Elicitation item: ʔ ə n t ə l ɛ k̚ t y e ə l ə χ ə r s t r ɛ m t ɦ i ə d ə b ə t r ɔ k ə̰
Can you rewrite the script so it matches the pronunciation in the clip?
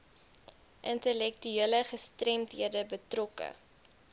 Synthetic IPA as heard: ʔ ə n t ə l ɛ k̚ t y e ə l ə χ ə s t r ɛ m t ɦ i ə d ə b ə t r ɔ k ə̰